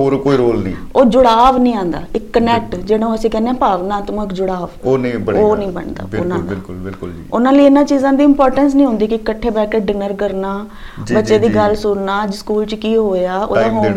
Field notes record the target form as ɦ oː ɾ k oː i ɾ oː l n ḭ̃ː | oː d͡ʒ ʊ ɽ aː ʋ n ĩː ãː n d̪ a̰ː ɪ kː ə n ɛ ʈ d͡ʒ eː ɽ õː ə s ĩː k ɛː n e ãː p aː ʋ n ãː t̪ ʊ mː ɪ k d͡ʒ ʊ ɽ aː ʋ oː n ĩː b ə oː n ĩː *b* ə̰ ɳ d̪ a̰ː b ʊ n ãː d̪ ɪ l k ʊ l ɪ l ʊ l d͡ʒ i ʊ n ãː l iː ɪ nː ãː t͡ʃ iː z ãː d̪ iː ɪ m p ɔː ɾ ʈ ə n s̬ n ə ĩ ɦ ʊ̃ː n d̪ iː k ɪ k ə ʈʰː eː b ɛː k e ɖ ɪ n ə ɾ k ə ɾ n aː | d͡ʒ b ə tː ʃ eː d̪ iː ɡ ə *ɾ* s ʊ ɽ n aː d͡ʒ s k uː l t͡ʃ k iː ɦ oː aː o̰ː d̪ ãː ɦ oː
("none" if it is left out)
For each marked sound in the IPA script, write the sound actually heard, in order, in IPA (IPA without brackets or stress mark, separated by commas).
b, l